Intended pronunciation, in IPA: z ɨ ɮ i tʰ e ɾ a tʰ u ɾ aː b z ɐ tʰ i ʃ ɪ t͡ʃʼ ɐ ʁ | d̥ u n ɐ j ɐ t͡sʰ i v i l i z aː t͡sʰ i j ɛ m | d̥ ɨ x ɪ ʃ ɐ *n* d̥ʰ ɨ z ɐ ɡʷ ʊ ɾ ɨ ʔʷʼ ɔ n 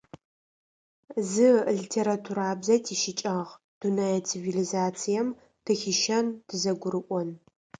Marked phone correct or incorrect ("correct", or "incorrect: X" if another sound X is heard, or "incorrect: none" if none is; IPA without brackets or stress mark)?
correct